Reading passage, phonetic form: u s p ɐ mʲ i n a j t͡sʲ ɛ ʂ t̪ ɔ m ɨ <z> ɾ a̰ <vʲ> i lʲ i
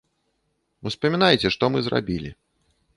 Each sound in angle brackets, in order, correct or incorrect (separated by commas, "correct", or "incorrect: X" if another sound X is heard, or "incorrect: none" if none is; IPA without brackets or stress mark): correct, incorrect: bʲ